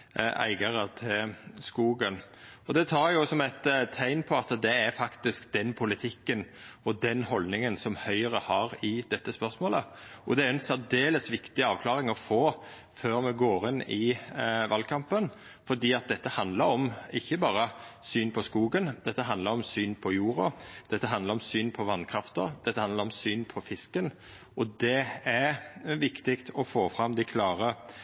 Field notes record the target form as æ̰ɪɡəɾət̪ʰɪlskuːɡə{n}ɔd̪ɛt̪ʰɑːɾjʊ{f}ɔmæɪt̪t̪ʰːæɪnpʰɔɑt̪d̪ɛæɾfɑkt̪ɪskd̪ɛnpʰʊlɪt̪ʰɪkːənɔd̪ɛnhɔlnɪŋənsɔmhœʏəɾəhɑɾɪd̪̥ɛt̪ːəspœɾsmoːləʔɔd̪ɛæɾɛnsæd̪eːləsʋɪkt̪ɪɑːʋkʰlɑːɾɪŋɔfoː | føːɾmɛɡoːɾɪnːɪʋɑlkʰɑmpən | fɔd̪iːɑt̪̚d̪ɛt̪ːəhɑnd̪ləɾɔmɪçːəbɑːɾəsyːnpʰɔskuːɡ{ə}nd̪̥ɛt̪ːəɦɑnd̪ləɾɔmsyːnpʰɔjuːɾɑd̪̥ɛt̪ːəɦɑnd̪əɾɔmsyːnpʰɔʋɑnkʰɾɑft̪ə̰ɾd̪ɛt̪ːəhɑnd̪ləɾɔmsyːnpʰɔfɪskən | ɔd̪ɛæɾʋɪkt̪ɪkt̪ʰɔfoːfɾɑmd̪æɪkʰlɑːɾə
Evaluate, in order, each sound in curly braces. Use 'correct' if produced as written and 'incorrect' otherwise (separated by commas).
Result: correct, incorrect, correct